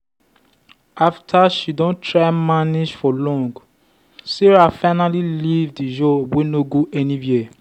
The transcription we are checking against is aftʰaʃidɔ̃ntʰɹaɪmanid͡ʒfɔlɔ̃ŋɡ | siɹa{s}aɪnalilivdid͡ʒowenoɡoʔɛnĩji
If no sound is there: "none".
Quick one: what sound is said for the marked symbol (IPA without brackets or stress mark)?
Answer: f